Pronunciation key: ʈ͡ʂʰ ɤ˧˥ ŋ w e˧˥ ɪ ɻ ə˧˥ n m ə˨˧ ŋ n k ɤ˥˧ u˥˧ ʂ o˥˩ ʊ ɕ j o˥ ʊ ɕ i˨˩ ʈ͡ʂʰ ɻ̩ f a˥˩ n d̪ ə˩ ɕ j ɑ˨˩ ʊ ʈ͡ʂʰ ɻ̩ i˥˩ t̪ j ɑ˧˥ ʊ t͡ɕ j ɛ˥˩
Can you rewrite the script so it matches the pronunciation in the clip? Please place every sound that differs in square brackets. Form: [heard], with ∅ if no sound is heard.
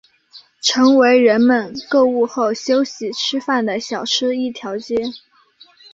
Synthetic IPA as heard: ʈ͡ʂʰ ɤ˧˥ ŋ w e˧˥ ɪ ɻ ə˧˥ n m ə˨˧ [∅] n k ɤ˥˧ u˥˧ [x] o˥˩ ʊ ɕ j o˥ ʊ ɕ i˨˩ ʈ͡ʂʰ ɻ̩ f a˥˩ n d̪ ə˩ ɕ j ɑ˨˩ ʊ ʈ͡ʂʰ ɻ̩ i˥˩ [t̪ʰ] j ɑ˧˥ ʊ t͡ɕ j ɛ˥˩